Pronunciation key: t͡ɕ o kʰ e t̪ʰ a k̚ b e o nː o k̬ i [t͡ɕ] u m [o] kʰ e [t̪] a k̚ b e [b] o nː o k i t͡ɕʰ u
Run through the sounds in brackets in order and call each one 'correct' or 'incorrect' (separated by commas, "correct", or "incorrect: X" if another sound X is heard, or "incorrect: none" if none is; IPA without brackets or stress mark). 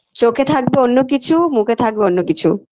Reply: incorrect: t͡ɕʰ, incorrect: u, incorrect: t̪ʰ, incorrect: none